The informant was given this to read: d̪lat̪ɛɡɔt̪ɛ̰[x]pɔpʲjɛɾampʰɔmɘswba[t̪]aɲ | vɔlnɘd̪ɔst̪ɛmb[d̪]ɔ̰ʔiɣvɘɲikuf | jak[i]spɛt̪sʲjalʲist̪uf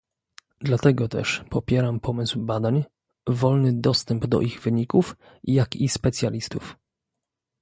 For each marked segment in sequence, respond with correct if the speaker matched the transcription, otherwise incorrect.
incorrect: ʂ, incorrect: d̪, correct, correct

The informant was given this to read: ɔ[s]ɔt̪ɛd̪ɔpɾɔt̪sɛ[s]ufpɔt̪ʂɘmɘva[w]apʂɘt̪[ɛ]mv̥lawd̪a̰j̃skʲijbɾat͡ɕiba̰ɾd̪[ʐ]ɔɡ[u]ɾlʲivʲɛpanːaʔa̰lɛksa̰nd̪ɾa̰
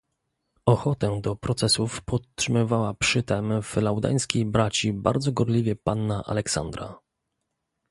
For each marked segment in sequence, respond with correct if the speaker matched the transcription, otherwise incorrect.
incorrect: x, correct, correct, correct, incorrect: z, incorrect: ɔ

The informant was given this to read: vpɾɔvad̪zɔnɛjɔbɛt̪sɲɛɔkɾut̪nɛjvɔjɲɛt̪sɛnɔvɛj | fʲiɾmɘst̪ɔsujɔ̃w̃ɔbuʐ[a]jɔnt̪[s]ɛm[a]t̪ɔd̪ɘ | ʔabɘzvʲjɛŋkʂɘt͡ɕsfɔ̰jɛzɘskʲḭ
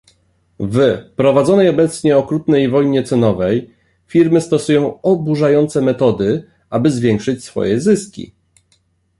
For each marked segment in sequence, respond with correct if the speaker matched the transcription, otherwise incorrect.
correct, correct, incorrect: ɛ

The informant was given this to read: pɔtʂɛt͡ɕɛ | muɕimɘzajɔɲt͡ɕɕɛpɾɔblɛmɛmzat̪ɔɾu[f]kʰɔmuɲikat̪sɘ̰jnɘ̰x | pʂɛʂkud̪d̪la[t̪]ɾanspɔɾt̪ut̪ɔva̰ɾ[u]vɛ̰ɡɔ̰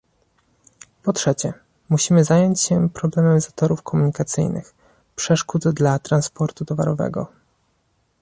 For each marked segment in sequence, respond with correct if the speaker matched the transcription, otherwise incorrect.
correct, correct, incorrect: ɔ

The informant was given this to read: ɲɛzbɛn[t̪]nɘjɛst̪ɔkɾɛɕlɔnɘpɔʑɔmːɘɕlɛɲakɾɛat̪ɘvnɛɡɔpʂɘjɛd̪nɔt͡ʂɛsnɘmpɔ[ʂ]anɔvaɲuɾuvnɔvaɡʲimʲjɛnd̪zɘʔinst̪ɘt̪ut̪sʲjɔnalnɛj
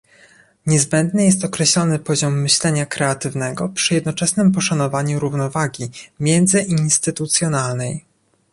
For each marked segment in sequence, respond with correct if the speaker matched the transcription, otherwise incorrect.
incorrect: d̪, correct

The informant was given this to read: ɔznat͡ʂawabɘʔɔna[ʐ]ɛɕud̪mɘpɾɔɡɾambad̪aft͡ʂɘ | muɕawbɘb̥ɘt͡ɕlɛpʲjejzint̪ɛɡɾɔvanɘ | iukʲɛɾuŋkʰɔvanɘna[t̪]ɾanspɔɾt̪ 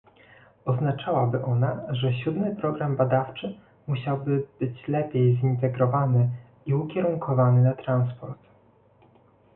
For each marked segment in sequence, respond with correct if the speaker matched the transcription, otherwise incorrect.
correct, correct

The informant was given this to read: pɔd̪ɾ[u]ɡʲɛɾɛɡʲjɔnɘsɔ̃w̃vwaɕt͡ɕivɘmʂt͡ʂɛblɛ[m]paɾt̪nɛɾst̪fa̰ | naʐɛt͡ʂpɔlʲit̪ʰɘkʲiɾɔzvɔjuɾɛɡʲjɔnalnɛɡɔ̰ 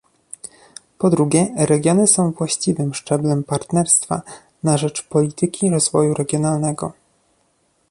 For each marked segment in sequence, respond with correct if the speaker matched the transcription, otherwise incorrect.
correct, correct

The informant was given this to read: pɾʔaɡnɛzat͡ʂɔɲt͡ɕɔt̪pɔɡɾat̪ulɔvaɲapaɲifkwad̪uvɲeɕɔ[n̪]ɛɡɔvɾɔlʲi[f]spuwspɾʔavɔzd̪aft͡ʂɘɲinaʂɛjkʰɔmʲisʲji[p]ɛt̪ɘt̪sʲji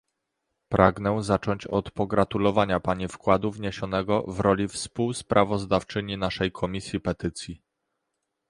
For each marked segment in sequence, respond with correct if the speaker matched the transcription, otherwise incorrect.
correct, correct, correct

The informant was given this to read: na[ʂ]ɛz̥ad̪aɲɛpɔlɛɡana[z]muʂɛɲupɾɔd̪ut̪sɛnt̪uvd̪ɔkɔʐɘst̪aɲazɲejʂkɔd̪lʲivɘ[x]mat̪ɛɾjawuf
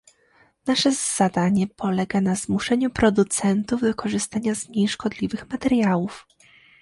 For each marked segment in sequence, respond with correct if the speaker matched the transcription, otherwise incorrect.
correct, correct, correct

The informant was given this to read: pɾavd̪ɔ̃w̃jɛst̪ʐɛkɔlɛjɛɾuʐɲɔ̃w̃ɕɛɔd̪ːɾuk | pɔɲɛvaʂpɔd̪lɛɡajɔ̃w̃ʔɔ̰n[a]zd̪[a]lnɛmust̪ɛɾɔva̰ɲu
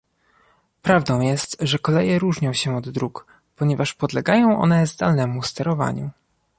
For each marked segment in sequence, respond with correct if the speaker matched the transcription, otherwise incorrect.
incorrect: ɛ, correct

